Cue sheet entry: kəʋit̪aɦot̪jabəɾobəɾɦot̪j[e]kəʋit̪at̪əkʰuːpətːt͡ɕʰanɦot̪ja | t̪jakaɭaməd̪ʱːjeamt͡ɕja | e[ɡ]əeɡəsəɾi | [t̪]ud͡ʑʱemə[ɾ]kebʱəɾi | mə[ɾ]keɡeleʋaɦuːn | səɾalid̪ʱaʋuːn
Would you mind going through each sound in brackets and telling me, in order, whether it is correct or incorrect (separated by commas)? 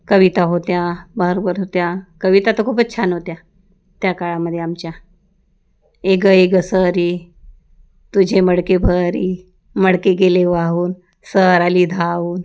incorrect, correct, correct, incorrect, incorrect